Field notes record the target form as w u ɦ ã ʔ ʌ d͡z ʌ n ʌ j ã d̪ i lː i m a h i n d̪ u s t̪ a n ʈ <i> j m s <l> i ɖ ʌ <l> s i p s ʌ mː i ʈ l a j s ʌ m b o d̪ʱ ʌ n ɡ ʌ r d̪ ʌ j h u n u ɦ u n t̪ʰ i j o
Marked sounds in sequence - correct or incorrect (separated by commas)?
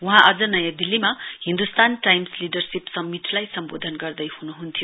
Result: incorrect, correct, incorrect